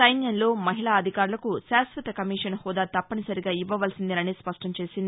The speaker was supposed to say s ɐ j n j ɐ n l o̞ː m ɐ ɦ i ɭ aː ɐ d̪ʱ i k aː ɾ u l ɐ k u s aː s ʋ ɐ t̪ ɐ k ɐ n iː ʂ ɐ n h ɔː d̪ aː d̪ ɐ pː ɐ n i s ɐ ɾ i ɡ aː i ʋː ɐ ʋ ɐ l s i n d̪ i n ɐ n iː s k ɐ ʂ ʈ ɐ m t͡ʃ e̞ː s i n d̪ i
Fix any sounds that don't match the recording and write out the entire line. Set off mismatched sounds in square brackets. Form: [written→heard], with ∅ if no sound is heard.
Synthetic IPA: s ɐ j n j ɐ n l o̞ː m ɐ ɦ i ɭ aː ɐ d̪ʱ i k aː ɾ u l ɐ k u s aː s ʋ ɐ t̪ ɐ k ɐ [n→m] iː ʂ ɐ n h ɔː d̪ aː [d̪→t̪] ɐ pː ɐ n i s ɐ ɾ i ɡ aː i ʋː ɐ ʋ ɐ l s i n d̪ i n ɐ n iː s [k→p] ɐ ʂ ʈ ɐ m t͡ʃ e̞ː s i n d̪ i